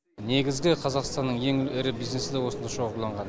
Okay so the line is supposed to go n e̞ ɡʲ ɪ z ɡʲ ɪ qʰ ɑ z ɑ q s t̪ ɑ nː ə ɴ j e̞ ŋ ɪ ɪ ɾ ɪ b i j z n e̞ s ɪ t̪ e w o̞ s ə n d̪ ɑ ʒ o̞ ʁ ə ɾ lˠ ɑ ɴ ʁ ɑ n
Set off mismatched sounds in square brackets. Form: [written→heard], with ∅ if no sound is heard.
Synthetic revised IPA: n e̞ ɡʲ ɪ z ɡʲ ɪ qʰ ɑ z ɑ q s t̪ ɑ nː ə ɴ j e̞ ŋ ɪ ɪ ɾ ɪ b i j z n e̞ s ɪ [t̪→d̪] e w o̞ s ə n d̪ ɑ [ʒ→ʃ] o̞ ʁ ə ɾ lˠ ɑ ɴ ʁ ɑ n